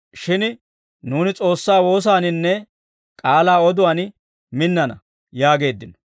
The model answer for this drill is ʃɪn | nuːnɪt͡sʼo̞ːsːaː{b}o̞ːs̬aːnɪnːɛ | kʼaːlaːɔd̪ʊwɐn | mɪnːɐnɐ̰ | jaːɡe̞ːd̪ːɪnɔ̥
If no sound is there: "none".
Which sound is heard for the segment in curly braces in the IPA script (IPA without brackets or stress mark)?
w